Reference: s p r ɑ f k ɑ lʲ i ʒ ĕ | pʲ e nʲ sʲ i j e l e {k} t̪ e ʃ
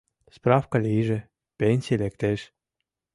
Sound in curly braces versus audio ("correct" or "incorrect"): correct